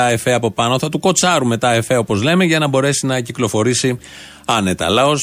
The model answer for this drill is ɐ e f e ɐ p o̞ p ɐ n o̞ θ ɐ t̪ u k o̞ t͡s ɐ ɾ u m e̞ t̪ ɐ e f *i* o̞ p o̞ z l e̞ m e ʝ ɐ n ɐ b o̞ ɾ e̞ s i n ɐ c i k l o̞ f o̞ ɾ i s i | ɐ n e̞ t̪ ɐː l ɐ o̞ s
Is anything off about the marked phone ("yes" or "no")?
yes